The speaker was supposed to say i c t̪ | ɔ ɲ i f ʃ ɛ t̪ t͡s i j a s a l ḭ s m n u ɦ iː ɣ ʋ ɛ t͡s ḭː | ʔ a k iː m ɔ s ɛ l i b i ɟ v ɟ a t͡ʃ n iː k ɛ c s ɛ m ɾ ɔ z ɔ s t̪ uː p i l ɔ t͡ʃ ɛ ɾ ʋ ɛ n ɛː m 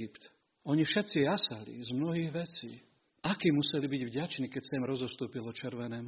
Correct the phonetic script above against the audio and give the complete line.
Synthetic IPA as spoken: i p t̪ | ɔ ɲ i f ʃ ɛ t̪ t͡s i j a s a l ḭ z m n ɔ ɦ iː ɣ ʋ ɛ t͡s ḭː | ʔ a k iː m u s ɛ l i b i ɟ v ɟ a t͡ʃ n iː k ɛ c s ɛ m ɾ ɔ z ɔ s t̪ uː p i l ɔ t͡ʃ ɛ ɾ ʋ ɛ n ɛː m